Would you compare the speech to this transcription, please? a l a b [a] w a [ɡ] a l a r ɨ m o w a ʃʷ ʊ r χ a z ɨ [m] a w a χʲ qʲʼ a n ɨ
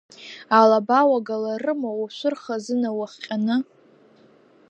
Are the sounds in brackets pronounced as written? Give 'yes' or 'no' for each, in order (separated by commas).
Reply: yes, yes, no